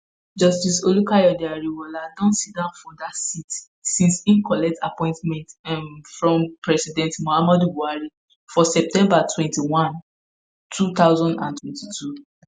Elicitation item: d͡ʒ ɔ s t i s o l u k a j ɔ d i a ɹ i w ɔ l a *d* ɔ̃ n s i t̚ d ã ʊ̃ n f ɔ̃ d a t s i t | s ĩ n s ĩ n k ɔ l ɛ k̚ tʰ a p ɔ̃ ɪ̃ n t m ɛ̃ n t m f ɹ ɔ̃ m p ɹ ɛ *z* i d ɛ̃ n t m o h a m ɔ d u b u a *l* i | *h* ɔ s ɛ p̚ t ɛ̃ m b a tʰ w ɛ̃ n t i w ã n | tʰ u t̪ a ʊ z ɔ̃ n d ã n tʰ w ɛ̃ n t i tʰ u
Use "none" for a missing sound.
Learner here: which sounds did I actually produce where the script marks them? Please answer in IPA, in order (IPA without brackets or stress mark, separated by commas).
d, s, ɹ, f